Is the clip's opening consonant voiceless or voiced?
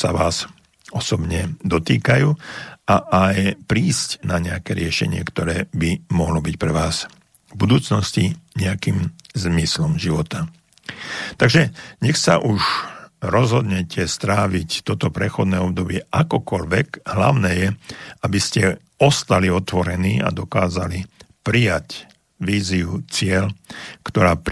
voiceless